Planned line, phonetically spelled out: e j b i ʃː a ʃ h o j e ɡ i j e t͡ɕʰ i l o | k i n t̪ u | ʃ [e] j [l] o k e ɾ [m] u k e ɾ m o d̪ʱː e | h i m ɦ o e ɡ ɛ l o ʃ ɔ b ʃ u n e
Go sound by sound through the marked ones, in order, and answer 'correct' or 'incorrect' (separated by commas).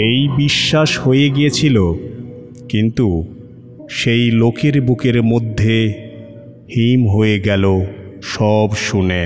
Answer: correct, correct, incorrect